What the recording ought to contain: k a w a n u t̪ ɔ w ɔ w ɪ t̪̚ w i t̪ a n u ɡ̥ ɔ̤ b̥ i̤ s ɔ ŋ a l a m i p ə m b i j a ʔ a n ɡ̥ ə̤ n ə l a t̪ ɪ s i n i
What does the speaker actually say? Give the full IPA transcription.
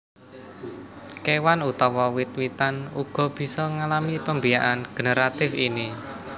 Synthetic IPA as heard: k e w a n u t̪ ɔ w ɔ w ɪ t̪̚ w i t̪ a n u ɡ̥ ɔ̤ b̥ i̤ s ɔ ŋ a l a m i p ə m b i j a ʔ a n ɡ̥ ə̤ n ə ɾ a t̪ ɪ f i n i